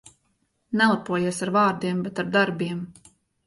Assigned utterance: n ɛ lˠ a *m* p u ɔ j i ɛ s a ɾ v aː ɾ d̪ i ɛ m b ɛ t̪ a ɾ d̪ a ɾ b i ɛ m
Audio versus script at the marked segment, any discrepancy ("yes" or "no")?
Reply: yes